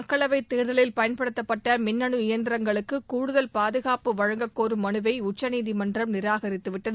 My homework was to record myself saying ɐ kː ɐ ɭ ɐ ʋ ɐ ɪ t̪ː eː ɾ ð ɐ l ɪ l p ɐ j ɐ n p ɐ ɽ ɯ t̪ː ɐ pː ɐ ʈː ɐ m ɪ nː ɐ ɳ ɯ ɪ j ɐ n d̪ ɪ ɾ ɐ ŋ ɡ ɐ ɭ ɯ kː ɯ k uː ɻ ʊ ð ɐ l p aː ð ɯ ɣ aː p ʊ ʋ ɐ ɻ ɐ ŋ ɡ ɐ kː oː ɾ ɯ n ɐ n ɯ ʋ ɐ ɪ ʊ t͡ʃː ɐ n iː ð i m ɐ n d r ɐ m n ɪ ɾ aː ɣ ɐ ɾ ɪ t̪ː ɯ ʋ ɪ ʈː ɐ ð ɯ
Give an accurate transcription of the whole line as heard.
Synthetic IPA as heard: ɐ kː ɐ ɭ ɐ ʋ ɐ ɪ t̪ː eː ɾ ð ɐ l ɪ l p ɐ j ɐ n p ɐ ɽ ɯ t̪ː ɐ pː ɐ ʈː ɐ m ɪ nː ɐ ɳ ɯ ɪ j ɐ n d̪ ɪ ɾ ɐ ŋ ɡ ɐ ɭ ɯ kː ɯ k uː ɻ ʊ ð ɐ l p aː ð ɯ ɣ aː p ɯ ʋ ɐ ɻ ɐ ŋ ɡ ɐ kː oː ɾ ɯ m ɐ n ɯ ʋ ɐ ɪ ʊ t͡ʃː ɐ n iː ð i m ɐ n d r ɐ m n ɪ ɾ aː ɣ ɐ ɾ ɪ t̪ː ɯ ʋ ɪ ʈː ɐ ð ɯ